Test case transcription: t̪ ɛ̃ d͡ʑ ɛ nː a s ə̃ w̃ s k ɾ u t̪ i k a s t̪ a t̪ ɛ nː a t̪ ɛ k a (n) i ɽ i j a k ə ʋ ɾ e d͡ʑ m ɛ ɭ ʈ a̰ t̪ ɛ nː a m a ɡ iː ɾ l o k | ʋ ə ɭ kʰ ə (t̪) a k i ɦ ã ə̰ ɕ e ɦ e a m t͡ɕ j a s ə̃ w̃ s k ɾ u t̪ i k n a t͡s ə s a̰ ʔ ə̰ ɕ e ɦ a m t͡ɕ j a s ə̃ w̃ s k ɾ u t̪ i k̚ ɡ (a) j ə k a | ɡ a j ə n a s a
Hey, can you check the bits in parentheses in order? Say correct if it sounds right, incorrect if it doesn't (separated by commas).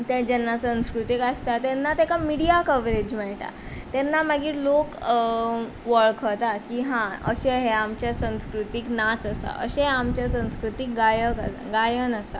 incorrect, correct, correct